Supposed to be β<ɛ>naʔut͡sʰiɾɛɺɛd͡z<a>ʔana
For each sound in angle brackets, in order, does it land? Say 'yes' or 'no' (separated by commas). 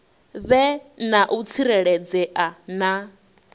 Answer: yes, no